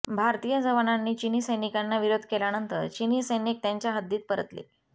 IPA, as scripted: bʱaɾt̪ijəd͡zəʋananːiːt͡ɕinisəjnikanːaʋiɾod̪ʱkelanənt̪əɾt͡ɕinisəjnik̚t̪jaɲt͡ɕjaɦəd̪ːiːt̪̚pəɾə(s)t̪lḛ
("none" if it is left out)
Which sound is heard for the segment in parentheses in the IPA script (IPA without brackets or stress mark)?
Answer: none